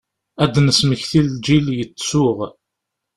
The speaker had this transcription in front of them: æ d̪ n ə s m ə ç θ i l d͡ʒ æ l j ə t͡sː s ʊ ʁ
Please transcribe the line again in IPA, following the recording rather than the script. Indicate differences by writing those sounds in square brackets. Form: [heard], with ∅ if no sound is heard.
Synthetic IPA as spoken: æ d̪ n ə s m ə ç θ i l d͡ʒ [i] l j ə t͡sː s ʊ ʁ